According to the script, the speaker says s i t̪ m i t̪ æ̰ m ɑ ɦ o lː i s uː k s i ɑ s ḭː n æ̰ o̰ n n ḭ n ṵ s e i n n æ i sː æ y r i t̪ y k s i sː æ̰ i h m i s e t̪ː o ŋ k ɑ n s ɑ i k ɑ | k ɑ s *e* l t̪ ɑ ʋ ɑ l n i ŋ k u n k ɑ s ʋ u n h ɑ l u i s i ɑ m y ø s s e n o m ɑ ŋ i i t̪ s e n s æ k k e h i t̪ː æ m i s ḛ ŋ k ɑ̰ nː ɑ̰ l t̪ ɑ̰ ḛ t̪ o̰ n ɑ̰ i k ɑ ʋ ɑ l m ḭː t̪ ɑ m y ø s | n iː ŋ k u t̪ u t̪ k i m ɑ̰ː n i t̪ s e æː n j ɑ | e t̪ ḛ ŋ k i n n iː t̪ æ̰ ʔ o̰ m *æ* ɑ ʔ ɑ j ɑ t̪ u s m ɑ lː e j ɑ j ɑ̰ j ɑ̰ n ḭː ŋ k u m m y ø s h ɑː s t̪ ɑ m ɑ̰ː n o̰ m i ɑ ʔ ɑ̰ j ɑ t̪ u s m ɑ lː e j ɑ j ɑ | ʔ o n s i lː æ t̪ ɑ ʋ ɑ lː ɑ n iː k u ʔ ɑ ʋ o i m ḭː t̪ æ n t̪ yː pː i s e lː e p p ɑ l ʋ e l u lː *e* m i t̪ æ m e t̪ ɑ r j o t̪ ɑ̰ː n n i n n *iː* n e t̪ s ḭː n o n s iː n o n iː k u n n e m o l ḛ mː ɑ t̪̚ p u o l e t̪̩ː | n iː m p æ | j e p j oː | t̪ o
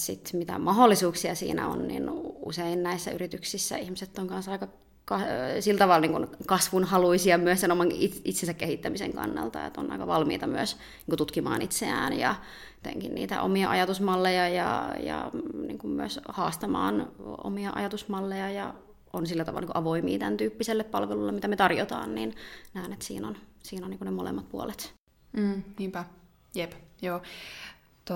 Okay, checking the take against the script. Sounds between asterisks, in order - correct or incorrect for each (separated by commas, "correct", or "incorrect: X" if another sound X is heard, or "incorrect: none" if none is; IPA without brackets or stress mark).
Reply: incorrect: i, incorrect: i, correct, incorrect: æː